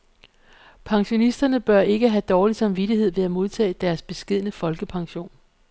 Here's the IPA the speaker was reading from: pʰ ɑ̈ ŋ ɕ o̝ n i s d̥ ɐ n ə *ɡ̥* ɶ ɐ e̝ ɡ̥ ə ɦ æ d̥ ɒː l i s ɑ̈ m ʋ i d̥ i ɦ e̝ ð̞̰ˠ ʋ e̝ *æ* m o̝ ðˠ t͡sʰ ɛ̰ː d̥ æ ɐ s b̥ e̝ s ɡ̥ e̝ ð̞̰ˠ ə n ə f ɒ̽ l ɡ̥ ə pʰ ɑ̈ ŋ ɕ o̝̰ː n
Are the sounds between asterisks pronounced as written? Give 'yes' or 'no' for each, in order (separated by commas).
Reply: no, yes